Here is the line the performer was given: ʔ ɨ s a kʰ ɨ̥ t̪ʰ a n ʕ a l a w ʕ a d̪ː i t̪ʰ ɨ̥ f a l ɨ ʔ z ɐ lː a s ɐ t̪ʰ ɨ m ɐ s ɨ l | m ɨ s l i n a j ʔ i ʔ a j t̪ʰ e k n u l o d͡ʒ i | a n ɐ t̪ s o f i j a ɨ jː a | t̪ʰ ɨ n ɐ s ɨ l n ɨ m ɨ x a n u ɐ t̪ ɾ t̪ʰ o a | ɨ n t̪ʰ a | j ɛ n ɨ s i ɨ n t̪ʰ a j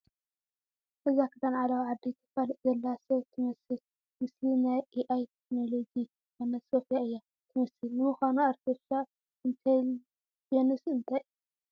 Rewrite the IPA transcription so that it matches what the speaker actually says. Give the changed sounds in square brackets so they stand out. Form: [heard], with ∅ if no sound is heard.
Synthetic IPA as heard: ʔ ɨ [z] a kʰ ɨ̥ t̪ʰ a n ʕ a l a w ʕ a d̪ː i t̪ʰ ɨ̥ f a l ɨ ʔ z ɐ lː a s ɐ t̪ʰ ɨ m ɐ s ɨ l | m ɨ s l i n a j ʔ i ʔ a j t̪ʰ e k n [o] l o d͡ʒ i | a n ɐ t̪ s o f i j a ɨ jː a | t̪ʰ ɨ [m] ɐ s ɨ l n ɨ m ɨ x a n u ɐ [∅] ɾ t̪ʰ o a | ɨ n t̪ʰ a | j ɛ n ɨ s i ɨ n t̪ʰ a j